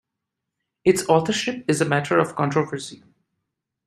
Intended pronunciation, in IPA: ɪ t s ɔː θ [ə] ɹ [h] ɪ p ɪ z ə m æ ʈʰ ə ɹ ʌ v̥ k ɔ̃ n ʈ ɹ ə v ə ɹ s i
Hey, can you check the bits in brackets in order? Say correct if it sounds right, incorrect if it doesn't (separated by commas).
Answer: correct, incorrect